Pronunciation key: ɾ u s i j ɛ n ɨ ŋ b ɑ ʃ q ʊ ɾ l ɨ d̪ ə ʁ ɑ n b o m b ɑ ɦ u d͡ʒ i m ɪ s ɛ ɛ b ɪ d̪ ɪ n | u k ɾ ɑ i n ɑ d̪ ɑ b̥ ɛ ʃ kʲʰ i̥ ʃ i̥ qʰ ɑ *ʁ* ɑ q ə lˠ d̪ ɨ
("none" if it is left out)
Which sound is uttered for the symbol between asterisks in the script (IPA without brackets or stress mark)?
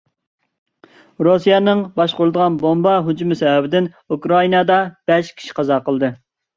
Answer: z